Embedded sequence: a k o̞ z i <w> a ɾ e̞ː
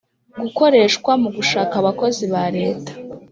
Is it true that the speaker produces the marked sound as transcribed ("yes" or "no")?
no